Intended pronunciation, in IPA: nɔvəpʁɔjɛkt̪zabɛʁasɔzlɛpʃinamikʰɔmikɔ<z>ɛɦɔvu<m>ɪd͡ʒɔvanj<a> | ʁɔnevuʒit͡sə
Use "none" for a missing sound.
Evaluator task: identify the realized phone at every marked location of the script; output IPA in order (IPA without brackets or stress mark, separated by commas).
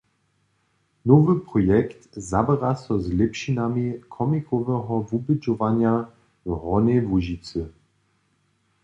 v, b, a